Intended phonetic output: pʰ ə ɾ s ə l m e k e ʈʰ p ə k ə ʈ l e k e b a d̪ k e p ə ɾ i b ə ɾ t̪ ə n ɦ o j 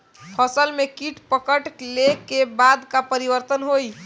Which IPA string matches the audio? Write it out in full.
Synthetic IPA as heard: pʰ ə s ə l m e k i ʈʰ p ə k ə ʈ l e k e b a d̪ k a p ə ɾ i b ə ɾ t̪ ə n ɦ o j